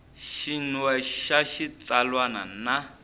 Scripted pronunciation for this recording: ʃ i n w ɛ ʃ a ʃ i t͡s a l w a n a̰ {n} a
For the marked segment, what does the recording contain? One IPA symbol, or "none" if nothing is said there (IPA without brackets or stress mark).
n